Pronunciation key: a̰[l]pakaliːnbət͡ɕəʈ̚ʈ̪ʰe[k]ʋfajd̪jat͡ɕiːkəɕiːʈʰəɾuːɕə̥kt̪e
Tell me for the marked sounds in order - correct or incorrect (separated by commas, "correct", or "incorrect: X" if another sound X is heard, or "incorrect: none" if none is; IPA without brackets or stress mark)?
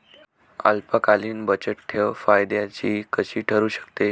correct, incorrect: none